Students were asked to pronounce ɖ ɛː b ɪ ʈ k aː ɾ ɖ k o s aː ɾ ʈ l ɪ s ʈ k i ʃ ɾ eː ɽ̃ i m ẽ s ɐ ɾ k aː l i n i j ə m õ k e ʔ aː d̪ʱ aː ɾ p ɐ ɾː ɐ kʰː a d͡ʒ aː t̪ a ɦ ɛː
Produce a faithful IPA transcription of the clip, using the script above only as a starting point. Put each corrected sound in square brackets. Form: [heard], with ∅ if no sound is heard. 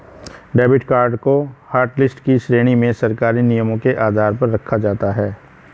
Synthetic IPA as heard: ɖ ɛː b ɪ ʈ k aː ɾ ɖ k o [h] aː ɾ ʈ l ɪ s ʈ k i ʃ ɾ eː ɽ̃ i m ẽ s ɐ ɾ k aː [ɾ] i n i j ə m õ k e ʔ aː d̪ʱ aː ɾ p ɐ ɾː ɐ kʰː a d͡ʒ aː t̪ a ɦ ɛː